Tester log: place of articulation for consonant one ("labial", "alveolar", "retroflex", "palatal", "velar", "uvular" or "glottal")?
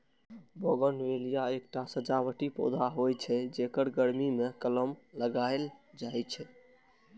labial